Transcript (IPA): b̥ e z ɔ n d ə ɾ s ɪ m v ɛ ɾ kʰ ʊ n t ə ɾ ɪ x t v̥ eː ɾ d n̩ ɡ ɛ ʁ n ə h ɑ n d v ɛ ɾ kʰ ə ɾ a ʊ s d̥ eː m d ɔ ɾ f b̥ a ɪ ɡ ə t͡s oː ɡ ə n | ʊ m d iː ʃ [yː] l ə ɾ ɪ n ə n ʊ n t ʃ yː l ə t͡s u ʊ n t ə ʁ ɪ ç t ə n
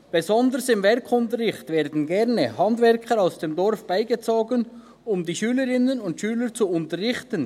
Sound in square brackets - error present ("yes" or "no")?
no